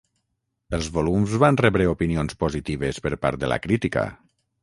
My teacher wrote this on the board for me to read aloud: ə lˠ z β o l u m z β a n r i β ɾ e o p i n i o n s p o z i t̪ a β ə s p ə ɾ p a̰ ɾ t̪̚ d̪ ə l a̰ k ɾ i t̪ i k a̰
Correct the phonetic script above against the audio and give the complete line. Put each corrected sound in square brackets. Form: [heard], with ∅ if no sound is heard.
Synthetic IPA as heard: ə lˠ z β o l u m z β a n r [ɛ] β ɾ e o p i n i o n s p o z i t̪ [i] β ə s p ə ɾ p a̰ ɾ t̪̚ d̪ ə l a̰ k ɾ i t̪ i k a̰